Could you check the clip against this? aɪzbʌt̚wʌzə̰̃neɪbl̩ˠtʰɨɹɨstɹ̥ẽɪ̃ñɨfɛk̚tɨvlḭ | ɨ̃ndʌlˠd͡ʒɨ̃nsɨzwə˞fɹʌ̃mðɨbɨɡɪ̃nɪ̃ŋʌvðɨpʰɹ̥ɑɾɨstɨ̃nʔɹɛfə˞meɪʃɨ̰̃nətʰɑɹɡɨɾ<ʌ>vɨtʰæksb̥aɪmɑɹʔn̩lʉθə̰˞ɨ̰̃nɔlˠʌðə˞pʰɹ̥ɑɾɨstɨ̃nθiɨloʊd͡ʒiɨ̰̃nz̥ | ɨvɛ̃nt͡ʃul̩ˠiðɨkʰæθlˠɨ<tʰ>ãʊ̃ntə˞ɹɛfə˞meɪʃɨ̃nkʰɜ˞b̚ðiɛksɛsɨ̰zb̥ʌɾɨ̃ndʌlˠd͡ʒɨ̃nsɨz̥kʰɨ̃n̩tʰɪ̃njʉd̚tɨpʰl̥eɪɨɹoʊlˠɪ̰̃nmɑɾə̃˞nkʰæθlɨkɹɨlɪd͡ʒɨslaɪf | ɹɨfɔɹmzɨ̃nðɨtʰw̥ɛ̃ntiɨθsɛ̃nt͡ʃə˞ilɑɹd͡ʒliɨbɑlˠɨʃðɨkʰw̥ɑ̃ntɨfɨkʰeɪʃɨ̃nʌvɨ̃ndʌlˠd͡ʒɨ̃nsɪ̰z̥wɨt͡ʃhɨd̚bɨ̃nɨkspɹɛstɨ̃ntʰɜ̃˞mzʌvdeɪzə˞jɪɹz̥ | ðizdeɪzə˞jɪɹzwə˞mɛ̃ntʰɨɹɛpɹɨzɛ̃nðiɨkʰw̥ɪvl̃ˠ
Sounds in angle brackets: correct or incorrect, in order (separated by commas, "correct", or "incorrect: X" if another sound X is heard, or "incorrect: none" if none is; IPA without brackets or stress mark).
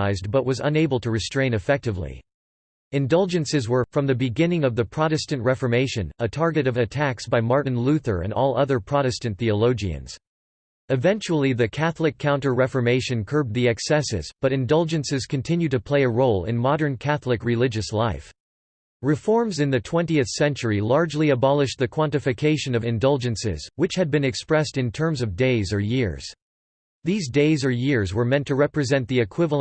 correct, incorrect: kʰ